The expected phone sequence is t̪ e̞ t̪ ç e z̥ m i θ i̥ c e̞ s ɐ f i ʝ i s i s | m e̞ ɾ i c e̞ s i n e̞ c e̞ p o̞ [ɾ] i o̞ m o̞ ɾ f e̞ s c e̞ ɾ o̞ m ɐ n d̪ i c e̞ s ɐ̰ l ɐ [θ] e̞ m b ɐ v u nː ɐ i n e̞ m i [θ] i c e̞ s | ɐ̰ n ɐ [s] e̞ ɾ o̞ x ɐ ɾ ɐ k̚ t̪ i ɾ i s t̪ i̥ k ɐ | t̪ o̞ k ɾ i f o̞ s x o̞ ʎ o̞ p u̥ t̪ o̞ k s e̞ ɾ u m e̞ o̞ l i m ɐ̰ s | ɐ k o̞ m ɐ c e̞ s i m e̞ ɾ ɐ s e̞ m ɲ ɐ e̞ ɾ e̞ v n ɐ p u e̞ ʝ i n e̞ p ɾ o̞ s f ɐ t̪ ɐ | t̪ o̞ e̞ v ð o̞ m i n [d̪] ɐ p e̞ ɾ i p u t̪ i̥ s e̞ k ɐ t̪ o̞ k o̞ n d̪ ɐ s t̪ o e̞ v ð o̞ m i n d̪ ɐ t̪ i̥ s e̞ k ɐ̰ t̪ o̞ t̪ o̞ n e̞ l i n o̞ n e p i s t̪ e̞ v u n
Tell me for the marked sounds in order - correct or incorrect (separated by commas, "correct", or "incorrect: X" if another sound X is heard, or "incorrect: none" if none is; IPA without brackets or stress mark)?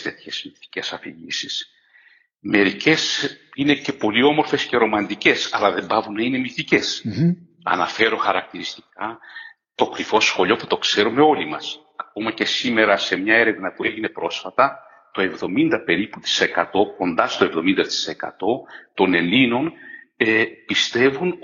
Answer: incorrect: l, incorrect: ð, correct, incorrect: f, correct